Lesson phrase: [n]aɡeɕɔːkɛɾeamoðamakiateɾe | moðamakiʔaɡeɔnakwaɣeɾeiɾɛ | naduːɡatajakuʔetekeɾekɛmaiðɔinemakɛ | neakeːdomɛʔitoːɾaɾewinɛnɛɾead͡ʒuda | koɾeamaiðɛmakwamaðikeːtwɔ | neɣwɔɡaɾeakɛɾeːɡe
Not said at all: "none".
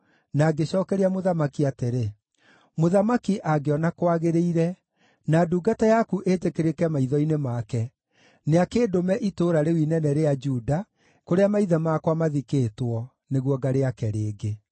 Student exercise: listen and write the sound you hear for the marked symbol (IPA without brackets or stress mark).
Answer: n